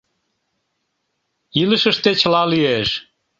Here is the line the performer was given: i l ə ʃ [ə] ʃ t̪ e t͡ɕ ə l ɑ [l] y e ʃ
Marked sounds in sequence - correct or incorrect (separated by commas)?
correct, correct